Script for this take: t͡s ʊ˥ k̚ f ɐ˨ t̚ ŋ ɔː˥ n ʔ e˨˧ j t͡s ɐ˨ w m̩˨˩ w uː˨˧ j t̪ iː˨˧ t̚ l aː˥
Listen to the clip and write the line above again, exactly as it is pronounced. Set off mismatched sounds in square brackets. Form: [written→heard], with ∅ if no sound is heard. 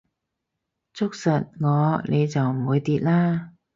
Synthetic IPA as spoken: t͡s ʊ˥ k̚ [f→s] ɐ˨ t̚ ŋ [ɔː˥→ɔː˨˧] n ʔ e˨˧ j t͡s ɐ˨ w m̩˨˩ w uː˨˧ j t̪ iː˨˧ t̚ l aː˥